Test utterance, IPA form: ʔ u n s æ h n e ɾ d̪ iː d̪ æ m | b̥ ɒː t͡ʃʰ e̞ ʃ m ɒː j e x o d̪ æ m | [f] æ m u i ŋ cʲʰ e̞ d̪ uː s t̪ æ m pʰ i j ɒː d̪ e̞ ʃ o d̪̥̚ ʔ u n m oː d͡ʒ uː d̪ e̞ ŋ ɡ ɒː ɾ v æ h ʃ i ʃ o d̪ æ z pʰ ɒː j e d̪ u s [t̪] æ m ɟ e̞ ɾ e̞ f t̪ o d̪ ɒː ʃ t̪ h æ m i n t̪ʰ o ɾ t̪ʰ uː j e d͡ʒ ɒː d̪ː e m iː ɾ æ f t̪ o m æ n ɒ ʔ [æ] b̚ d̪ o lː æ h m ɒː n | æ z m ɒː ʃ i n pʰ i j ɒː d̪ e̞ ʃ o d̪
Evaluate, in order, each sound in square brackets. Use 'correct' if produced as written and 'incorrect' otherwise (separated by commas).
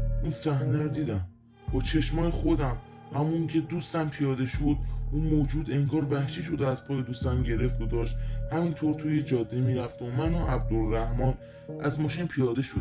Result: incorrect, correct, correct